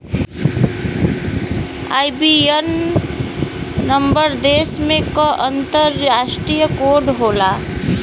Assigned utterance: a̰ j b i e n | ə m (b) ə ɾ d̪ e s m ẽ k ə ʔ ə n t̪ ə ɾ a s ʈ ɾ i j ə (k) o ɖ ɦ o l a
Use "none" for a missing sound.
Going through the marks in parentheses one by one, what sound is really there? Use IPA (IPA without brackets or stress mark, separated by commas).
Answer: b, k